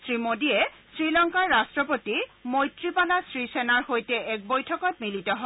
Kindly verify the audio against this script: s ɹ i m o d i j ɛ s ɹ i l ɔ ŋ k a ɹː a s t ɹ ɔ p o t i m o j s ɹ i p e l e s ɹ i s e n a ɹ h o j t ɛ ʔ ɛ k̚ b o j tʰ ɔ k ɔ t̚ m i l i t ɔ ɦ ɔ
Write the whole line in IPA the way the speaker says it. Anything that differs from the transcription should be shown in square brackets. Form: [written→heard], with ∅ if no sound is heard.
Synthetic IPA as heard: s ɹ i m o d i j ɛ s ɹ i l ɔ ŋ k a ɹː a s t ɹ ɔ p o t i m o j [s→t] ɹ i p [e→a] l [e→a] s ɹ i s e n a ɹ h o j t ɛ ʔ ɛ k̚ b o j tʰ ɔ k ɔ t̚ m i l i t ɔ ɦ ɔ